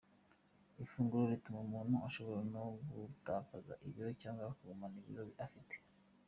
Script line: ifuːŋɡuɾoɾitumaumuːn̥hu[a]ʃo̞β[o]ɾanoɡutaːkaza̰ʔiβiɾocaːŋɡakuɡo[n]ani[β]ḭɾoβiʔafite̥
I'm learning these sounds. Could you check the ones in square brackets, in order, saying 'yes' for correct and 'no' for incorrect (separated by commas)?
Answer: yes, yes, no, yes